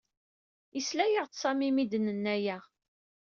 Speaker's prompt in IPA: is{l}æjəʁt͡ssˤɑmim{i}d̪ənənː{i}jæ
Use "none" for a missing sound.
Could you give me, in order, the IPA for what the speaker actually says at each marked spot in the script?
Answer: l, i, æ

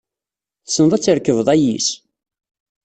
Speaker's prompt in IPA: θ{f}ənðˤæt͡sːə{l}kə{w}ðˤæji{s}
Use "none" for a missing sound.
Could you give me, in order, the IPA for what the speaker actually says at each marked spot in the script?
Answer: s, ɾ, v, s

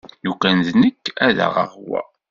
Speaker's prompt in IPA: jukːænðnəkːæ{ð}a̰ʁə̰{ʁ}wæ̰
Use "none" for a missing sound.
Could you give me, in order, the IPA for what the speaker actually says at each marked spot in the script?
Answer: ð, ʁ

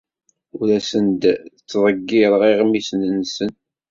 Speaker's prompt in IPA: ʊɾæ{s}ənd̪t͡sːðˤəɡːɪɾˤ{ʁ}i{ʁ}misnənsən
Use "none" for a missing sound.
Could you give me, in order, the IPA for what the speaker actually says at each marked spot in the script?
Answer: s, ʁ, ʁ

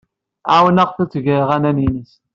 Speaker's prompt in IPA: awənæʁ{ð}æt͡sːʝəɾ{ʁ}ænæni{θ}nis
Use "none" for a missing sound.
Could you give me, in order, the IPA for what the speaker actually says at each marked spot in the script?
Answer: θ, ʁ, none

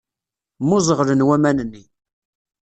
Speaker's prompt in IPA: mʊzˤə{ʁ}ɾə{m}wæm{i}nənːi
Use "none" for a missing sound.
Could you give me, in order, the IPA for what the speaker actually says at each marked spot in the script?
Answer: ʁ, n, æ

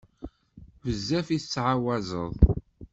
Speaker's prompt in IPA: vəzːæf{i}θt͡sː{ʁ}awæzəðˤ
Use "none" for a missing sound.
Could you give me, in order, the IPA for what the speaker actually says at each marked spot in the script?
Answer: i, ʕ

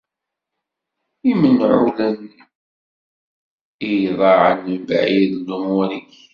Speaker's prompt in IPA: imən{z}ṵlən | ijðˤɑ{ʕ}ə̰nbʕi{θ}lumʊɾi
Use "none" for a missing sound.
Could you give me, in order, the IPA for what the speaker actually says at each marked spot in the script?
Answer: ʕ, ʕ, ð

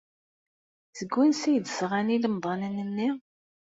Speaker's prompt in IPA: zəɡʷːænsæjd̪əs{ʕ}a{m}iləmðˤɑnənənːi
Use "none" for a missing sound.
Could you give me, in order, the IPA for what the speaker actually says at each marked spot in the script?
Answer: ʁ, n

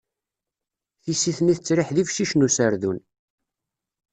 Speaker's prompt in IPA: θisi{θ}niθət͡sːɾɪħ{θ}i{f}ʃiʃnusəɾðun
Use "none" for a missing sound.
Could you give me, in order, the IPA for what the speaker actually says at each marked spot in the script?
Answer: θ, ð, f

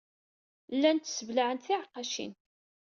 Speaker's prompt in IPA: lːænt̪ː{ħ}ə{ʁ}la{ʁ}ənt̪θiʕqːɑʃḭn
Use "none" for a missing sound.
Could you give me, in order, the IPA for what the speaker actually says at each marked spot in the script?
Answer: s, v, ʕ

